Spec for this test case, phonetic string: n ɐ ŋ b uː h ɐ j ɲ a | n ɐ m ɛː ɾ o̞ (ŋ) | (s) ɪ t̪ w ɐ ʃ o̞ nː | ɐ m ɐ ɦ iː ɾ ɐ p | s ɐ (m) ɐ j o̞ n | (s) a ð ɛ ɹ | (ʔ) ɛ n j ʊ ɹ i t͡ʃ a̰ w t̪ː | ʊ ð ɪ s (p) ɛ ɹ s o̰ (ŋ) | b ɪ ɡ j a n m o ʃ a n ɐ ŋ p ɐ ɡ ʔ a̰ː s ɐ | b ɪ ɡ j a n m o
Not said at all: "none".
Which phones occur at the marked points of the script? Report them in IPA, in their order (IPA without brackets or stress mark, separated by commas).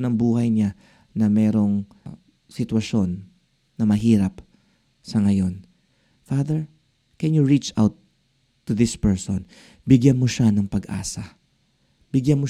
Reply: ŋ, s, ŋ, f, k, p, n